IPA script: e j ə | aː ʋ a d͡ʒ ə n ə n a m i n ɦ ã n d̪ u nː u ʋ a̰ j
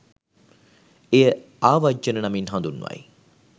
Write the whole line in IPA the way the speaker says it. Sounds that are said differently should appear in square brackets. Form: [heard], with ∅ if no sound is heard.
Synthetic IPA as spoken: e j ə | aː ʋ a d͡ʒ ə n ə n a m i n ɦ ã n d̪ u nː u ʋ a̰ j